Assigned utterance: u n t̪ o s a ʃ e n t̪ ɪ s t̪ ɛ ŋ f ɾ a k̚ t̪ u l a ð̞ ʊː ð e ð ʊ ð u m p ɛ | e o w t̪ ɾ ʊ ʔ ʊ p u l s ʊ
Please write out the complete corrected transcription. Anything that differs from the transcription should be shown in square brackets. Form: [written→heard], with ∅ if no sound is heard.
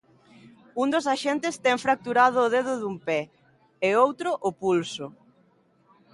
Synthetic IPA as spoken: u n [t̪→d̪] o s a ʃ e n t̪ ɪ s t̪ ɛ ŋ f ɾ a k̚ t̪ u [l→ɾ] a ð̞ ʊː ð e ð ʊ ð u m p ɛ | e o w t̪ ɾ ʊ ʔ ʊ p u l s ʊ